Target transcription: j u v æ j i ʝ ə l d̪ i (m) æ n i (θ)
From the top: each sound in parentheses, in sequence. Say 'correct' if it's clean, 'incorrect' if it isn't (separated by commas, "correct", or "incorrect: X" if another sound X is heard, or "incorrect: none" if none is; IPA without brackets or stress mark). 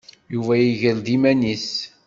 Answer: correct, incorrect: s